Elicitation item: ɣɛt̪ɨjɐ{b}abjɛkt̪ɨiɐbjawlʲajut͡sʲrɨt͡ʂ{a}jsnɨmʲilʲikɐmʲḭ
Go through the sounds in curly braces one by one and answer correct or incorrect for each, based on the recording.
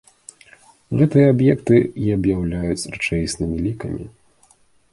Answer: incorrect, incorrect

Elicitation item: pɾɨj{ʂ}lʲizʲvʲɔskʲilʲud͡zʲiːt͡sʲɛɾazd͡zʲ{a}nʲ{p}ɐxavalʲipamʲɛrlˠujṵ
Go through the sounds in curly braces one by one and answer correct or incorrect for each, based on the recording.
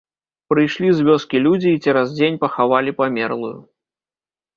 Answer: correct, incorrect, correct

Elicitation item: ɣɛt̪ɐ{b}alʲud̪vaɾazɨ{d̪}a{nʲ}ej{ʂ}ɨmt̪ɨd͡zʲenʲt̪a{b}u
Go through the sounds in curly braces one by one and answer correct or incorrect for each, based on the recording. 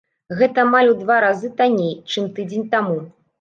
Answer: incorrect, incorrect, correct, incorrect, incorrect

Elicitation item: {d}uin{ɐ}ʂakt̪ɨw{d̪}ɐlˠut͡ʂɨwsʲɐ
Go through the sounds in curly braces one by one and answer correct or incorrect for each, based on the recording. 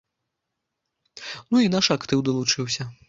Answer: incorrect, incorrect, correct

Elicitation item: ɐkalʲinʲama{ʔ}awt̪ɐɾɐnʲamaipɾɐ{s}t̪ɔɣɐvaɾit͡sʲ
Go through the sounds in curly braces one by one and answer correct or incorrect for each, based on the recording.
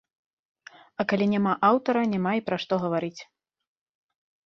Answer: correct, incorrect

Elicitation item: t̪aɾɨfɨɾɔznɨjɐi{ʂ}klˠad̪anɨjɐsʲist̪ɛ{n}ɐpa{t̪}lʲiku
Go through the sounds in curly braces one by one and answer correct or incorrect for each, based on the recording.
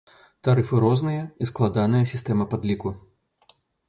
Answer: incorrect, incorrect, incorrect

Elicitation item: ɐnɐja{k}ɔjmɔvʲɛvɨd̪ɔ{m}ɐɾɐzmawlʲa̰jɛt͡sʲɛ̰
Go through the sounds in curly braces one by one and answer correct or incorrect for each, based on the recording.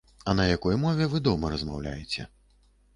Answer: correct, correct

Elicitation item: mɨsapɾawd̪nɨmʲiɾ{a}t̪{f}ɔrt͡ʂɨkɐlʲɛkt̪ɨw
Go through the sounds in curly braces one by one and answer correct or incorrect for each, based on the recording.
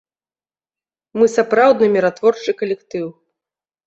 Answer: correct, incorrect

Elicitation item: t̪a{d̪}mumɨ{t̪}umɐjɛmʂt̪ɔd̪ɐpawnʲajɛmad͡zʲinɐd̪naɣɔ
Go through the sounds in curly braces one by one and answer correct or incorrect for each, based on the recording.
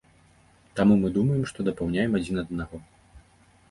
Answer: incorrect, incorrect

